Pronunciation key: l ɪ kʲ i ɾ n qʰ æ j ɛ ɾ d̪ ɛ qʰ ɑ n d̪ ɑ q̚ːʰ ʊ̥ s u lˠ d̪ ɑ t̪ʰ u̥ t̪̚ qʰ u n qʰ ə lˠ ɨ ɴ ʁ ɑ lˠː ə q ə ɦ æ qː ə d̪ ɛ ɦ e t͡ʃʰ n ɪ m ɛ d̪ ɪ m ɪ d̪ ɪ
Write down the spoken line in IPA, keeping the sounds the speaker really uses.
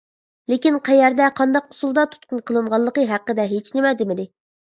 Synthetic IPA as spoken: l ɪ kʲ i n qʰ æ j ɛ ɾ d̪ ɛ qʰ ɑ n d̪ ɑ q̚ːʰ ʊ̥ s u lˠ d̪ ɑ t̪ʰ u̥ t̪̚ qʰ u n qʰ ə lˠ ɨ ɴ ʁ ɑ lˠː ə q ə ɦ æ qː ə d̪ ɛ ɦ e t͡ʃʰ n ɪ m ɛ d̪ ɪ m ɪ d̪ ɪ